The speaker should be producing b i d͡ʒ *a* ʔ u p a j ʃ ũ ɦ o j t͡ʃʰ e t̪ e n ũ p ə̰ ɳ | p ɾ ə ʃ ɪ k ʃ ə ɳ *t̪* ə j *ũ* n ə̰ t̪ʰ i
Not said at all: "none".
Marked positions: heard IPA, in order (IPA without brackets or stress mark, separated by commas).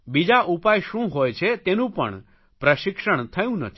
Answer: a, t̪ʰ, ũ